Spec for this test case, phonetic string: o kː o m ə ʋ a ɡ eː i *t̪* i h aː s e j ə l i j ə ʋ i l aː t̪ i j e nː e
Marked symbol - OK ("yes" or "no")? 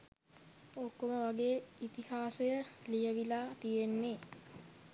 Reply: yes